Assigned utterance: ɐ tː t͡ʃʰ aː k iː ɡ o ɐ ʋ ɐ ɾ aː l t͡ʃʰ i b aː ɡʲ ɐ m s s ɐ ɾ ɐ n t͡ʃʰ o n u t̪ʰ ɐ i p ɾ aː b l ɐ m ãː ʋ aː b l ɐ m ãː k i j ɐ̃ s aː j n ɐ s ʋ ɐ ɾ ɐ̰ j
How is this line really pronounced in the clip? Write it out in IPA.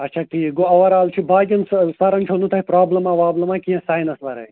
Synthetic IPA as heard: ɐ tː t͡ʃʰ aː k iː ɡ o ɐ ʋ ɐ ɾ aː l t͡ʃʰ i b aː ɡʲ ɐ n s s ɐ ɾ ɐ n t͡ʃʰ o n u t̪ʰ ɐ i p ɾ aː b l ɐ m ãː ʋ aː b l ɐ m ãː k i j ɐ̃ s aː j n ɐ s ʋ ɐ ɾ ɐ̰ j